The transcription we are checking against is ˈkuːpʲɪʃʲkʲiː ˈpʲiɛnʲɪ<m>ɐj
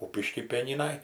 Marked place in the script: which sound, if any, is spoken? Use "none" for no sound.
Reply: n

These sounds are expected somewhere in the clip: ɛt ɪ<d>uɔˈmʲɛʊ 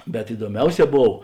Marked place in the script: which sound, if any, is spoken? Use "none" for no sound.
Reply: d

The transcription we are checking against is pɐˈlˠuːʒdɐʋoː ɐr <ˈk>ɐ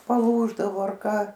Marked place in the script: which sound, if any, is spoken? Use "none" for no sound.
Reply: k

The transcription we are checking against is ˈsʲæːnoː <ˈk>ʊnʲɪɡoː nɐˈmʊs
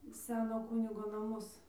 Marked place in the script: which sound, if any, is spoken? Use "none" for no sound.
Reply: k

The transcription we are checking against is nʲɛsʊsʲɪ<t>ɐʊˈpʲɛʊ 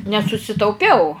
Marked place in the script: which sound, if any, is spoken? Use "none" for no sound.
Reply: t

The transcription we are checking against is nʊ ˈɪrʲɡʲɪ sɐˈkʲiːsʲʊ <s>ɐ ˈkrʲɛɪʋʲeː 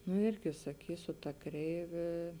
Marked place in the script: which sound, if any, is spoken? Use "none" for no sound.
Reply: t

